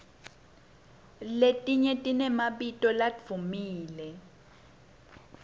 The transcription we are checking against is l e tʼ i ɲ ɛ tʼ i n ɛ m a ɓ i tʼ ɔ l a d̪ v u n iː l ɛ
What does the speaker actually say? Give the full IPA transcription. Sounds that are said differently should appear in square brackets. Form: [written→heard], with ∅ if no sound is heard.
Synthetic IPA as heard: l e tʼ i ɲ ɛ tʼ i n ɛ m a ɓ i tʼ ɔ l a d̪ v u [n→m] iː l ɛ